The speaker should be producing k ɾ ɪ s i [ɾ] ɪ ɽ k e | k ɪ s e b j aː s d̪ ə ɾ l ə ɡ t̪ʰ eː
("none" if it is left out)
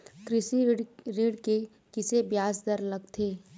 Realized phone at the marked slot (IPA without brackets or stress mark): ɾ